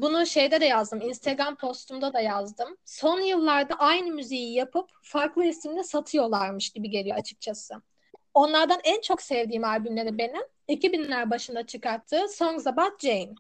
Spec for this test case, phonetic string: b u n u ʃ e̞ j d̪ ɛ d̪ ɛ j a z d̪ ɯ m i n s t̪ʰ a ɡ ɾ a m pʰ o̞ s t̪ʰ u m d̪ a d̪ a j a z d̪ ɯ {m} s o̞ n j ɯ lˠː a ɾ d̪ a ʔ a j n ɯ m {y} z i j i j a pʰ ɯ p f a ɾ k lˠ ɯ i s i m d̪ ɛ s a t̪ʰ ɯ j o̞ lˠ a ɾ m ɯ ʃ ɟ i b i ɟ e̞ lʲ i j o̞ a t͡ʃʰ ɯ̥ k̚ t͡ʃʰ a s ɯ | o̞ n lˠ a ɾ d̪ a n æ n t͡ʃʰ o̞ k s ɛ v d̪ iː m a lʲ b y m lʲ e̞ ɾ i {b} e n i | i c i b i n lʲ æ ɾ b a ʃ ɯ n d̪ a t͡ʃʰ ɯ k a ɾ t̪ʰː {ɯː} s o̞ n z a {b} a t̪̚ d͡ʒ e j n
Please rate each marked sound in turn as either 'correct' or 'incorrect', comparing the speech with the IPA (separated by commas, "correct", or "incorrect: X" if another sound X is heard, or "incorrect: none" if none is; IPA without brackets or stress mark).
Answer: correct, correct, correct, correct, correct